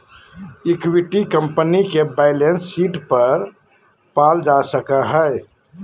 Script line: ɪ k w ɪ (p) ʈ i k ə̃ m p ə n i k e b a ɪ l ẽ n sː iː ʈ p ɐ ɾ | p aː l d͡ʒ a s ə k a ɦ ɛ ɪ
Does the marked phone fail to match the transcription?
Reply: yes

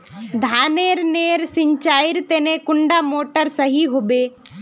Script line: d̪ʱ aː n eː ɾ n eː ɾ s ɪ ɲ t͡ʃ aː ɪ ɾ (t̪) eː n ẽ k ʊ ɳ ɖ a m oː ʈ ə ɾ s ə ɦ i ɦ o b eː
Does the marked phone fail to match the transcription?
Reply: no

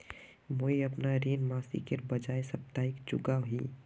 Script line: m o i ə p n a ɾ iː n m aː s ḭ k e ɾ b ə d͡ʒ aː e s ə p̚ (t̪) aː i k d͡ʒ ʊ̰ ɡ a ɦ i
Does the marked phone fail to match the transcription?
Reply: no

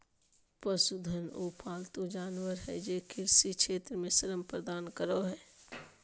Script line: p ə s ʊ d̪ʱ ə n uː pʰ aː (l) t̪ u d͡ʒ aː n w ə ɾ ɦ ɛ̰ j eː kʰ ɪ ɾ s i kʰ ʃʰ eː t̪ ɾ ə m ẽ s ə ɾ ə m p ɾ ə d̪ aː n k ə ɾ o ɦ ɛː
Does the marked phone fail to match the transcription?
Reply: no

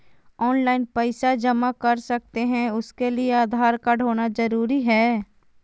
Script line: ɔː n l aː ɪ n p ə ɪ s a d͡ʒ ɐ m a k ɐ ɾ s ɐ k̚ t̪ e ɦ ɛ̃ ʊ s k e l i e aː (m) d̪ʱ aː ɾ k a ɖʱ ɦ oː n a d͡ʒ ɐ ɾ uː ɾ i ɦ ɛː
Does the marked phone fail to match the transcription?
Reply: yes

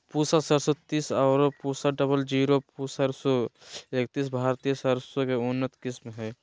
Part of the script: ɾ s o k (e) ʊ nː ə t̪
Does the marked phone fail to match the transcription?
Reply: no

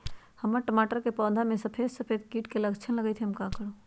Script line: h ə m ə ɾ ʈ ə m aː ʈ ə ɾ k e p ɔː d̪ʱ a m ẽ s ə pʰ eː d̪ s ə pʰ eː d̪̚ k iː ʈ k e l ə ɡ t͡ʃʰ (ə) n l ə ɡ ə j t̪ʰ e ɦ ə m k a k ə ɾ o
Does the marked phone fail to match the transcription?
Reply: no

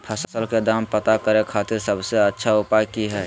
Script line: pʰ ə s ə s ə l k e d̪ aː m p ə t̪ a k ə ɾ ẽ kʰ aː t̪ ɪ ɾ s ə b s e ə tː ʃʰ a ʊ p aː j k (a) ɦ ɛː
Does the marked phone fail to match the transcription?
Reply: yes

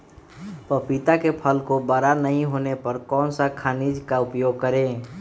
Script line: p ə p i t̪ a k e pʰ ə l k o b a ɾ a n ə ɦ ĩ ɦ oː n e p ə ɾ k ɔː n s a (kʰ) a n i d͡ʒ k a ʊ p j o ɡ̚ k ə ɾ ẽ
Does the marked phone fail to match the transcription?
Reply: no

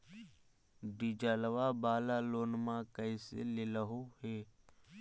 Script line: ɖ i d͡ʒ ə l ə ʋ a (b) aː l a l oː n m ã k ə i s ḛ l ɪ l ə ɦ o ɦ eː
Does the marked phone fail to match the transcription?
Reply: no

